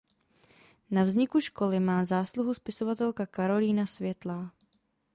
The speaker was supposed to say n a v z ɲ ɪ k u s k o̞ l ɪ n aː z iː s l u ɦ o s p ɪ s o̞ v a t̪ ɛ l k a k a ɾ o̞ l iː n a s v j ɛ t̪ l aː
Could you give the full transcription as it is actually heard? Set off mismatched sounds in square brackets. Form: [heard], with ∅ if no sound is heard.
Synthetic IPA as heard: n a v z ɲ ɪ k u [ʃ] k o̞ l ɪ [m] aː z [aː] s l u ɦ [u] s p ɪ s o̞ v a t̪ ɛ l k a k a ɾ o̞ l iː n a s v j ɛ t̪ l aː